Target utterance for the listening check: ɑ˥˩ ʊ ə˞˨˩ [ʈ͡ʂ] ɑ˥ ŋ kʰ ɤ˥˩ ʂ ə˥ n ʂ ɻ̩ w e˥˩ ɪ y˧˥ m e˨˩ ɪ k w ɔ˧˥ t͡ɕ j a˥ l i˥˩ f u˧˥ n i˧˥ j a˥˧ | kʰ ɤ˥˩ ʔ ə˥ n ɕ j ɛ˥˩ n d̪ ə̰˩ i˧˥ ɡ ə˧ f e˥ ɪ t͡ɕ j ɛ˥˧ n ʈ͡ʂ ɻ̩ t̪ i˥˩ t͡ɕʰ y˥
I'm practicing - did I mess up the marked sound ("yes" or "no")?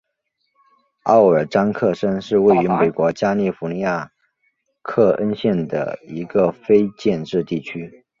no